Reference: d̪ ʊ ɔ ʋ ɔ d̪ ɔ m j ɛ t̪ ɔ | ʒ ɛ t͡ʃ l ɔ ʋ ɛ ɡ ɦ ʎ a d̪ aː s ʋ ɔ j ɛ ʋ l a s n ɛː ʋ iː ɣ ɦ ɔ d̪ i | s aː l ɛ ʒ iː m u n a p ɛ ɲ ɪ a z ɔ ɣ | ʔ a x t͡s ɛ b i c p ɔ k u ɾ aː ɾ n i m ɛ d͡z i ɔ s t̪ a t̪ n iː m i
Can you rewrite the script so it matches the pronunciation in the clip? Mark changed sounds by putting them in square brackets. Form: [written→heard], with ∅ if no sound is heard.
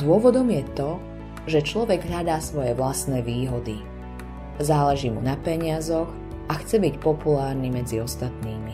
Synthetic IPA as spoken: d̪ ʊ ɔ ʋ ɔ d̪ ɔ m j ɛ t̪ ɔ | ʒ ɛ t͡ʃ l ɔ ʋ ɛ ɡ ɦ ʎ a d̪ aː s ʋ ɔ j ɛ ʋ l a s n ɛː ʋ iː [ɣ→∅] ɦ ɔ d̪ i | [s→z] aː l ɛ ʒ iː m u n a p ɛ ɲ ɪ a z ɔ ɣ | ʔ a x t͡s ɛ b i c p ɔ [k→p] u [ɾ→l] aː ɾ n i m ɛ d͡z i ɔ s t̪ a t̪ n iː m i